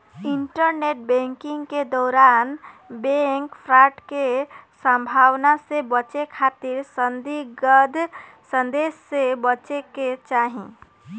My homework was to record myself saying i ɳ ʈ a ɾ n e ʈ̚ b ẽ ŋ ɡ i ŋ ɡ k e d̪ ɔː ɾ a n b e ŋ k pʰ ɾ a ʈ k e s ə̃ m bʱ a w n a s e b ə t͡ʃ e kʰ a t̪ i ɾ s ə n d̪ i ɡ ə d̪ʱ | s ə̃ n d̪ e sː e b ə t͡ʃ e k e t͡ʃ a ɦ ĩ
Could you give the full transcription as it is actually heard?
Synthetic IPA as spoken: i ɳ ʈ ə ɾ n e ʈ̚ b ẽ ŋ k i ŋ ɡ k e d̪ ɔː ɾ a n b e ŋ k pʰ ɾ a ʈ k e s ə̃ m bʱ a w n a s e b ə t͡ʃ e kʰ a t̪ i ɾ s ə n d̪ i ɡ ə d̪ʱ | s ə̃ n d̪ e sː e b ə t͡ʃ e k e t͡ʃ a ɦ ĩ